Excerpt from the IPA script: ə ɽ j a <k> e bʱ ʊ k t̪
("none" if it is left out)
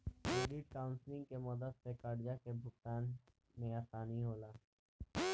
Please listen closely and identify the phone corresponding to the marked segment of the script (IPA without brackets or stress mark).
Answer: k